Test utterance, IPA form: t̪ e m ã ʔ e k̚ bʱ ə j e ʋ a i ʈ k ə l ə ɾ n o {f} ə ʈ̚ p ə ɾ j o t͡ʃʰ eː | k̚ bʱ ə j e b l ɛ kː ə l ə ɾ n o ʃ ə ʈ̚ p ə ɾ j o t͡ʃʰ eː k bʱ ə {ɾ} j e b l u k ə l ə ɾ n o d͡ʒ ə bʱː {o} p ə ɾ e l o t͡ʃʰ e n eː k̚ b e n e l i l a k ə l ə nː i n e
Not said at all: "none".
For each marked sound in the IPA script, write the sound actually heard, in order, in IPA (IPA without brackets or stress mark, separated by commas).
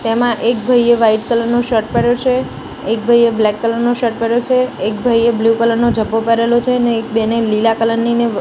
ʃ, none, o